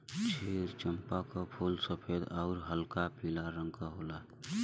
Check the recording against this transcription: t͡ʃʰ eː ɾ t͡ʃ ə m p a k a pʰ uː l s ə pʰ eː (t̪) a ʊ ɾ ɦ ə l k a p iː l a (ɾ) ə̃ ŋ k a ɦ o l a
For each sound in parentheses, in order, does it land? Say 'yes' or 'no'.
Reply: no, yes

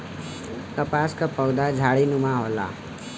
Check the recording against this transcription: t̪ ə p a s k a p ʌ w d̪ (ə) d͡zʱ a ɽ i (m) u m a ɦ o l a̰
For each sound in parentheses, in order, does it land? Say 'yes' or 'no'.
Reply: no, no

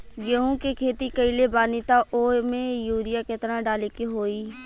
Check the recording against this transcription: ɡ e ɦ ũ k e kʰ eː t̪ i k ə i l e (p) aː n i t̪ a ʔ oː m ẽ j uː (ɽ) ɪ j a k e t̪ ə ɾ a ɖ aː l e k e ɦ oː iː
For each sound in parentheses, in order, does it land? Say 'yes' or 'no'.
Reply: no, no

